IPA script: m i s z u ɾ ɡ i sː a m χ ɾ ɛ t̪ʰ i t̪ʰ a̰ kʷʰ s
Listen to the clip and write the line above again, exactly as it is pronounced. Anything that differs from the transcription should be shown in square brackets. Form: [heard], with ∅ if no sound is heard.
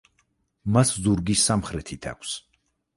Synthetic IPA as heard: m [a] s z u ɾ ɡ i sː a m χ ɾ ɛ t̪ʰ i t̪ʰ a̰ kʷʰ s